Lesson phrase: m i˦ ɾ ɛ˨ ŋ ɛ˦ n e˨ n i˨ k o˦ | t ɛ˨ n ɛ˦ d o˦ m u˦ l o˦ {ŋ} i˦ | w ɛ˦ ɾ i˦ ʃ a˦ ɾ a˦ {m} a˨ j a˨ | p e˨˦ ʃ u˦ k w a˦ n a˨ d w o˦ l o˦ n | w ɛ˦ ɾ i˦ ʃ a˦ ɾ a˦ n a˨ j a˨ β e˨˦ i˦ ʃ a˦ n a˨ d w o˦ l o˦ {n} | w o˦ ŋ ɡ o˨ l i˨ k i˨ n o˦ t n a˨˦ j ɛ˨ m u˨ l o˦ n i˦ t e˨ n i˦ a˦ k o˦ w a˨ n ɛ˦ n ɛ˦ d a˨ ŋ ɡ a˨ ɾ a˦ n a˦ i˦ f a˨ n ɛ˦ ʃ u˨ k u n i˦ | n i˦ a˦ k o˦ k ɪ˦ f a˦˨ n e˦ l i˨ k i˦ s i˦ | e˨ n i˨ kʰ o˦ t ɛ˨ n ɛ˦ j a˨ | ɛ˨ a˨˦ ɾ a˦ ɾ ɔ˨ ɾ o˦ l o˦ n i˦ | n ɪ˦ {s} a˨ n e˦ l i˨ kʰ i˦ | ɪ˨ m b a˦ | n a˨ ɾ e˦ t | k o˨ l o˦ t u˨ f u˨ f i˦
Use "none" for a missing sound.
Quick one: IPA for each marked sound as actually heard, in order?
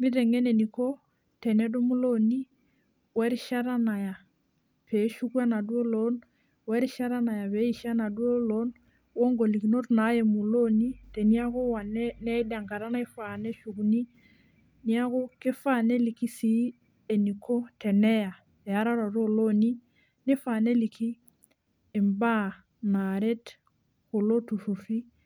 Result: n, n, n, f

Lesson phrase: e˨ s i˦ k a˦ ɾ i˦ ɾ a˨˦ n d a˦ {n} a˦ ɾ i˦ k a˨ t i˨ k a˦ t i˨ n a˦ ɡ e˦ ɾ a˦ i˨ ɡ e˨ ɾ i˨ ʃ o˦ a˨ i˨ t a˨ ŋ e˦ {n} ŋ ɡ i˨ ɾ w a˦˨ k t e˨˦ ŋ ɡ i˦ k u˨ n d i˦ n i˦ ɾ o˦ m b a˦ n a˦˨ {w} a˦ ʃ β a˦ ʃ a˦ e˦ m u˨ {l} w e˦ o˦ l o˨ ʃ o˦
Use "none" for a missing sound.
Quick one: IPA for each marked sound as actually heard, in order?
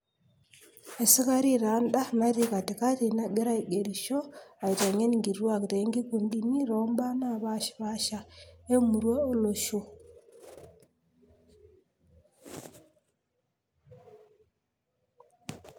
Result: n, n, β, ɾ

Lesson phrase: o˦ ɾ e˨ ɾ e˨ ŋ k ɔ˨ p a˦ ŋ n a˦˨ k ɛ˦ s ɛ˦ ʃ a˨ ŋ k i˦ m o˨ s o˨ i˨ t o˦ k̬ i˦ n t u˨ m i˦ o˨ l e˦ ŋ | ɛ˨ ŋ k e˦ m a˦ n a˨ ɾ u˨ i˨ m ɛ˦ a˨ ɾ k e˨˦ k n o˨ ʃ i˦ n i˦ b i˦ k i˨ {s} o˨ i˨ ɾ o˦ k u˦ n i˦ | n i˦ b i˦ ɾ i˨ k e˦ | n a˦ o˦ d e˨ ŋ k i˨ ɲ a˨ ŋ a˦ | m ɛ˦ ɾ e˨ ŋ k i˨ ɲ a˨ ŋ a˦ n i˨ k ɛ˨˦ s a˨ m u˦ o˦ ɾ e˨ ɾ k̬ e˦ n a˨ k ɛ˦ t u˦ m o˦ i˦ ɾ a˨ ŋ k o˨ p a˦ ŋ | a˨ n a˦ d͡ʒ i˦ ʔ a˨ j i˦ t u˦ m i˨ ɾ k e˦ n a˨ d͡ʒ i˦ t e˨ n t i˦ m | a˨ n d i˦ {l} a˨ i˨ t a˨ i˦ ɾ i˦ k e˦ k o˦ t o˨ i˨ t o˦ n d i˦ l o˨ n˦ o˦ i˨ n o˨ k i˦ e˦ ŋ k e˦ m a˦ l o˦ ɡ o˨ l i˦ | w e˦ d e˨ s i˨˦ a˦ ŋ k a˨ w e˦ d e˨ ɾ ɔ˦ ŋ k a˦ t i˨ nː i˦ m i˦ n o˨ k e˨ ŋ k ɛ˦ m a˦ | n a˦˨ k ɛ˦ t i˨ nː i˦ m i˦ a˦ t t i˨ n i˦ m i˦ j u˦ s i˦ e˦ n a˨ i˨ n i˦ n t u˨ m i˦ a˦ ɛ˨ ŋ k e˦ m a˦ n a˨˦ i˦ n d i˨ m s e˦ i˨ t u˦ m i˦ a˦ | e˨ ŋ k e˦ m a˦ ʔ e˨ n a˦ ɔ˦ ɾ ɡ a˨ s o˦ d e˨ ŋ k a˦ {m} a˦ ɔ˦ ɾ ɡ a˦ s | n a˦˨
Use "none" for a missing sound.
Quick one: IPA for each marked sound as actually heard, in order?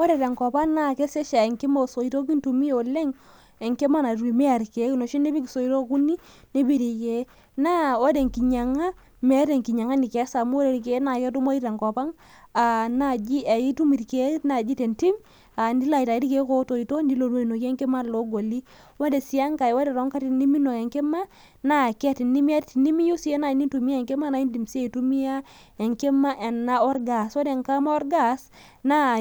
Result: s, l, m

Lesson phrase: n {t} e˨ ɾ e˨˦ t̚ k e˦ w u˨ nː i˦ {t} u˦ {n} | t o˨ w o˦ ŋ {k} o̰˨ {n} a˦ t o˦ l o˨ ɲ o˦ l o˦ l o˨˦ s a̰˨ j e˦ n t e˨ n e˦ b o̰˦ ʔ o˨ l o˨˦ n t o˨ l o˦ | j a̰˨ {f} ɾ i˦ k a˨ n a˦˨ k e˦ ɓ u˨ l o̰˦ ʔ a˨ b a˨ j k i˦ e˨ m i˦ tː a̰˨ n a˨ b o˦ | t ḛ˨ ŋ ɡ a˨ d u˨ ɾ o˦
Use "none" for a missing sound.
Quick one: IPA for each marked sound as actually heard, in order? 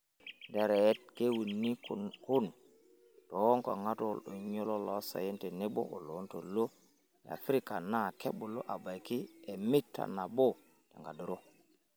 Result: d, k, n, k, ŋ, f

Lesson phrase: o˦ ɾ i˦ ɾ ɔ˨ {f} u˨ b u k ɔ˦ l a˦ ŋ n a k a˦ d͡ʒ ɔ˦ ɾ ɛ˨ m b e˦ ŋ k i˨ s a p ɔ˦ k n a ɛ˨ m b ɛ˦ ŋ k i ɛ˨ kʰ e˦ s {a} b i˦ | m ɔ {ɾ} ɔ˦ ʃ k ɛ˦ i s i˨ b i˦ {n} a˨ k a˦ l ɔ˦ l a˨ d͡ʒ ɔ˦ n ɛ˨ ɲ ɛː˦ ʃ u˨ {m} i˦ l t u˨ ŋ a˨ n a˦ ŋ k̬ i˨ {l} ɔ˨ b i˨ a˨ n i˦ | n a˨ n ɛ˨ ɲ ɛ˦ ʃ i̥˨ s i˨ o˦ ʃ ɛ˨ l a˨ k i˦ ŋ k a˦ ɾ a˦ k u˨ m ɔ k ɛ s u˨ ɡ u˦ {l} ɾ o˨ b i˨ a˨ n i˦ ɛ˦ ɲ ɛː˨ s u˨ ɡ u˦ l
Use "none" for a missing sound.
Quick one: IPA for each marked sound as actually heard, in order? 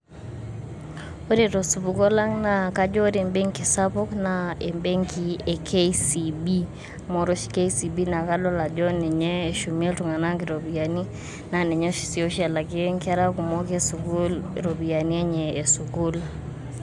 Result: s, i, ɾ, n, m, ɾ, l

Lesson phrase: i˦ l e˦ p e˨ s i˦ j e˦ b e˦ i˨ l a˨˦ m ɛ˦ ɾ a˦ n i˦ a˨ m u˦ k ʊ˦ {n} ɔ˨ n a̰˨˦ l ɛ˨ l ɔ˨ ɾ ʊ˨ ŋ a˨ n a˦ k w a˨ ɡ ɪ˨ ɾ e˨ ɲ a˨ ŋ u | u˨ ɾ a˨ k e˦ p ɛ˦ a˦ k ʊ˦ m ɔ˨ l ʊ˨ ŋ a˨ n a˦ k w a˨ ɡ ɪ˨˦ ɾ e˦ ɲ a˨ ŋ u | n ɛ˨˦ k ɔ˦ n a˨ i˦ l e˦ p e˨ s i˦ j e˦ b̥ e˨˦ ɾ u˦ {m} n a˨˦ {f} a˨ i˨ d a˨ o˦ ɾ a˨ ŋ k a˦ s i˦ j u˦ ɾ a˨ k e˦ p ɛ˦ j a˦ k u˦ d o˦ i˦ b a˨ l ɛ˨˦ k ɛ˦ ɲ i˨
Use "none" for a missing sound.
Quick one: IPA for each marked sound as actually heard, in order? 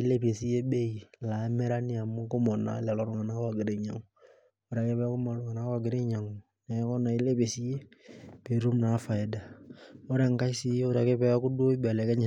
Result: m, m, f

